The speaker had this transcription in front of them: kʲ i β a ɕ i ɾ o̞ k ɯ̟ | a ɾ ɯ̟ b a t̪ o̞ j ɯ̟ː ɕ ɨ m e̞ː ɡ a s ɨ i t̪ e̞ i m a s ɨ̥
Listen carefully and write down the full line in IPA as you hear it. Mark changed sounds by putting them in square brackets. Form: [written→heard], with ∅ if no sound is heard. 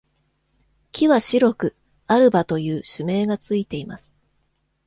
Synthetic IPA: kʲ i β a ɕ i ɾ o̞ k ɯ̟ | a ɾ ɯ̟ b a t̪ o̞ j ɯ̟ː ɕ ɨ m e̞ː ɡ a [s→t͡s] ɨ i t̪ e̞ i m a s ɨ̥